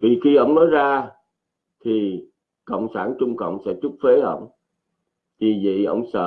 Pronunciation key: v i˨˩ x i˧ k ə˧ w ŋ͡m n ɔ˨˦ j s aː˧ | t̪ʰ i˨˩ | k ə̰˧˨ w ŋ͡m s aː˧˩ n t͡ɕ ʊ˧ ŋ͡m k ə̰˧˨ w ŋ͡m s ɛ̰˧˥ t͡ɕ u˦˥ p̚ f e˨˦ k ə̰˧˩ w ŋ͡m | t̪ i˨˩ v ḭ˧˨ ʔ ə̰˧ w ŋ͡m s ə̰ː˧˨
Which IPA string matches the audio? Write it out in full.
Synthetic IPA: v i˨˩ x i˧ ʔ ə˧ w ŋ͡m n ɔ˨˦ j z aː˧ | t̪ʰ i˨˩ | k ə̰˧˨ w ŋ͡m s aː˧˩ n t͡ɕ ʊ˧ ŋ͡m k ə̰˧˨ w ŋ͡m s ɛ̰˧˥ t͡ɕ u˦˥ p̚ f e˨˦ ʔ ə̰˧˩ w ŋ͡m | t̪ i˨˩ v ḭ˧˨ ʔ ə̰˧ w ŋ͡m s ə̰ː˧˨